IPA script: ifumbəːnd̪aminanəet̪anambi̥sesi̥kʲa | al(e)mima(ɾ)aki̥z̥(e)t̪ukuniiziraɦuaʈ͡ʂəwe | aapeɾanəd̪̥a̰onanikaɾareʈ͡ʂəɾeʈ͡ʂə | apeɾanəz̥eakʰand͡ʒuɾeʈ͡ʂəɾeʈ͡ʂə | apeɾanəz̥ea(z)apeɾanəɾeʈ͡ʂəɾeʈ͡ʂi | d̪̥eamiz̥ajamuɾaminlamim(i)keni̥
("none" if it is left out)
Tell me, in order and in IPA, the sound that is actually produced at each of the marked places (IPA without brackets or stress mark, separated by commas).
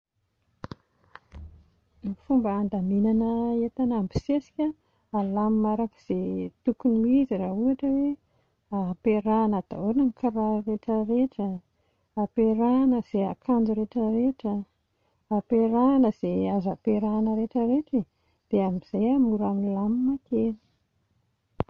a, ɾ, e, z, a